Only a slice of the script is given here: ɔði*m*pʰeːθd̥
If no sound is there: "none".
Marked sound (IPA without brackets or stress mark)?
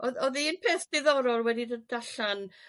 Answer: n